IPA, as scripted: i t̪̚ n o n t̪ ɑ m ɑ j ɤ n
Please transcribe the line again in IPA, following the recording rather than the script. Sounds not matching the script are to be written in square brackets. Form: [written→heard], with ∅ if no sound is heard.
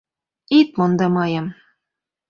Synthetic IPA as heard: i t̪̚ [n→m] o n [t̪→d̪] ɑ m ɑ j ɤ [n→m]